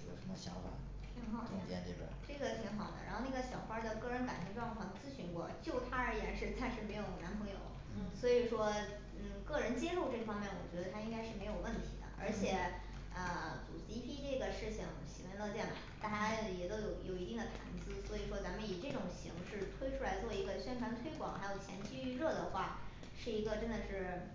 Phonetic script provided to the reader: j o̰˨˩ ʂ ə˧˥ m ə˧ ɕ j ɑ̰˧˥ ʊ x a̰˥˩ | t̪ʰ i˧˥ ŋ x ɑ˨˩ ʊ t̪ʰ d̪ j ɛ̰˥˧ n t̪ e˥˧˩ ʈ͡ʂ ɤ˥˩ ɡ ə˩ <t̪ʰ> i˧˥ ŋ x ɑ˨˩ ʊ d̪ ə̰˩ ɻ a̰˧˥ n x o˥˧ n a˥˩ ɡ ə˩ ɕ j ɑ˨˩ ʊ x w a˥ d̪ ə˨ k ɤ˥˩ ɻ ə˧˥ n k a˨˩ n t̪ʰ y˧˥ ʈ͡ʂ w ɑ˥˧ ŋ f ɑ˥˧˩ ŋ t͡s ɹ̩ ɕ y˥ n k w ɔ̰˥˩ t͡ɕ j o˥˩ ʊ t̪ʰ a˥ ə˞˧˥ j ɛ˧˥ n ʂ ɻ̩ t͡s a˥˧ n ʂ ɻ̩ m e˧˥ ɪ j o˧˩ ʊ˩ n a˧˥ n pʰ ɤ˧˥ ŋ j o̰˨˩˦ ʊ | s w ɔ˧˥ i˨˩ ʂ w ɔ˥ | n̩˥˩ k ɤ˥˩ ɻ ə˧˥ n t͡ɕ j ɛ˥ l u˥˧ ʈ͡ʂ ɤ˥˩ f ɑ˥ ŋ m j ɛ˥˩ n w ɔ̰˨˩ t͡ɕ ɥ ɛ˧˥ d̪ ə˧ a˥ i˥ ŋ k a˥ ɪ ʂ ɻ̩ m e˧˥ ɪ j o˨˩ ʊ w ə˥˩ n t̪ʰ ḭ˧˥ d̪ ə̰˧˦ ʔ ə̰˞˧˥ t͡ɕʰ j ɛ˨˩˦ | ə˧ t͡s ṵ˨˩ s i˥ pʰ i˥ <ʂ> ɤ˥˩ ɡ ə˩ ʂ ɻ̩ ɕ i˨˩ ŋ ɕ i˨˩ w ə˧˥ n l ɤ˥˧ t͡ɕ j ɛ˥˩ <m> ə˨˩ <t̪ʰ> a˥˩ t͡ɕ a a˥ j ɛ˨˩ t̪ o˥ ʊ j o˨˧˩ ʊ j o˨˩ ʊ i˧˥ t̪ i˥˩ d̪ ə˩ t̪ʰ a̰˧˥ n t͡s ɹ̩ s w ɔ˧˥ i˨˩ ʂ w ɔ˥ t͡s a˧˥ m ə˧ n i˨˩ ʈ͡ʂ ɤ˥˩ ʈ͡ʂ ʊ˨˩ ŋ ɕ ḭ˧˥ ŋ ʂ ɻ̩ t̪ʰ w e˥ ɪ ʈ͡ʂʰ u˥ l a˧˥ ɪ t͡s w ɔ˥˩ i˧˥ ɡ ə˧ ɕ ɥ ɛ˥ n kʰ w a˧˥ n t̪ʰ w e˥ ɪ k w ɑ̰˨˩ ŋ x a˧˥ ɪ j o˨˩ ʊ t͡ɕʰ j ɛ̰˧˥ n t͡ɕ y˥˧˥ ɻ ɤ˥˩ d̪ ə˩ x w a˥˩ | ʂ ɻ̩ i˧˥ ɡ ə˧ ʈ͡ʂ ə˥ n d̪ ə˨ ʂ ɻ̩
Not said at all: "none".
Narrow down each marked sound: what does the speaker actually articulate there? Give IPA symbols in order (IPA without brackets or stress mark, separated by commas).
t̪ʰ, ʈ͡ʂ, n, t̪